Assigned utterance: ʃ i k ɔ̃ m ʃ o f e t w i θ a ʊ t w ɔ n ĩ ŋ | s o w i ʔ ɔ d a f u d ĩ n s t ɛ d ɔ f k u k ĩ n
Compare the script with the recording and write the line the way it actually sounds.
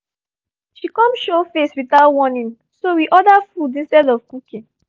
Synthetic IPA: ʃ i k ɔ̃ m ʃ o f e s w i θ a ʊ t w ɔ n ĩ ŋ | s o w i ʔ ɔ d a f u d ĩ n s t ɛ d ɔ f k u k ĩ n